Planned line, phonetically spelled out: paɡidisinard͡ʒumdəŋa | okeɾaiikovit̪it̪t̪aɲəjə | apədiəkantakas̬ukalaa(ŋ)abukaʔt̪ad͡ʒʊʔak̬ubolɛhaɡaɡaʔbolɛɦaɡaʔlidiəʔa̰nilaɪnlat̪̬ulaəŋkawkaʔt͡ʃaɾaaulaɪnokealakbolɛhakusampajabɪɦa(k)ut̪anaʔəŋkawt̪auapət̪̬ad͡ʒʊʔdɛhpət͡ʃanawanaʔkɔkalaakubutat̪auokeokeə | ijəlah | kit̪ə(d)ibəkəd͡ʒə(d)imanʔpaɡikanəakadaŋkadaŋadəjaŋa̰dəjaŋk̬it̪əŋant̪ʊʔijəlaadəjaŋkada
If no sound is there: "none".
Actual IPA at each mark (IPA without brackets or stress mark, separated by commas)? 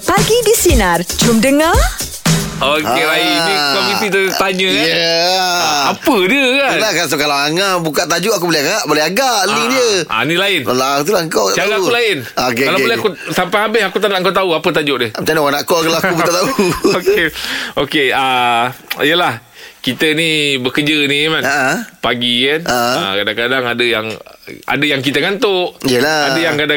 ŋ, k, n, n